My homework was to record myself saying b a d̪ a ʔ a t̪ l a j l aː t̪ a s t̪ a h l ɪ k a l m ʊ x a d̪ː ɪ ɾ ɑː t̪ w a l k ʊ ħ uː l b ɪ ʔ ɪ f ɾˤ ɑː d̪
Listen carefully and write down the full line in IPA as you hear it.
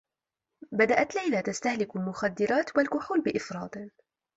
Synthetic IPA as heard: b a d̪ a ʔ a t̪ l a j l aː t̪ a s t̪ a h l ɪ k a l m ʊ x a d̪ː ɪ ɾ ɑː t̪ w a l k ʊ ħ uː l b ɪ ʔ ɪ f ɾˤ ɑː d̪